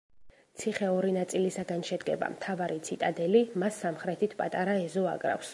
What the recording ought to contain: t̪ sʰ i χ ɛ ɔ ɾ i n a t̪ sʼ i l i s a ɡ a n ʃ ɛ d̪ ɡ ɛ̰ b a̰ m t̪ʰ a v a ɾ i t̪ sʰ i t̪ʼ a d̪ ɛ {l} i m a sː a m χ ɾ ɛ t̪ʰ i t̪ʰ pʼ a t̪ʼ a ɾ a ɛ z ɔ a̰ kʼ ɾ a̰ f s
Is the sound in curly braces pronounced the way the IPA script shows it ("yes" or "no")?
yes